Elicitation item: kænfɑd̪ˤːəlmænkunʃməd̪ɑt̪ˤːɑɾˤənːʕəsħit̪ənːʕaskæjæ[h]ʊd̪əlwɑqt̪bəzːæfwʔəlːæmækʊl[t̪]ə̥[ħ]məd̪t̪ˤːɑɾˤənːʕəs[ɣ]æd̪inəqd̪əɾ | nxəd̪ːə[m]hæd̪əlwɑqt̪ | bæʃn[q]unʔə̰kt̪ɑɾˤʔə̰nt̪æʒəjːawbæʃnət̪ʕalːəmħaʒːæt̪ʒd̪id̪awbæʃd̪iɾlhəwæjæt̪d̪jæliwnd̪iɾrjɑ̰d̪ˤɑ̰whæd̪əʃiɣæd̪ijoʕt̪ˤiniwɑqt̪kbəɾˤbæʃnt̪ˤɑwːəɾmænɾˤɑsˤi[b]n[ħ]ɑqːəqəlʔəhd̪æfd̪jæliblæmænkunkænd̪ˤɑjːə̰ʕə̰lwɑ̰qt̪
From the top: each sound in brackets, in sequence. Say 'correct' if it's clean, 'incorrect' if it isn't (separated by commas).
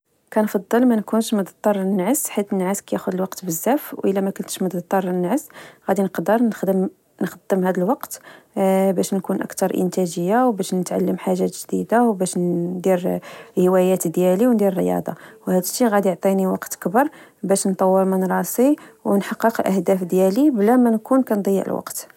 incorrect, correct, incorrect, correct, correct, incorrect, incorrect, correct